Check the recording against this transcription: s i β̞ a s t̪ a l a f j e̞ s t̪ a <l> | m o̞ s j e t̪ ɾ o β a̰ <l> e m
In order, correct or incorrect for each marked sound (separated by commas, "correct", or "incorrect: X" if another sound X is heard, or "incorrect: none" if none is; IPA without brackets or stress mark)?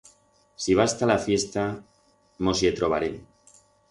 incorrect: none, incorrect: ɾ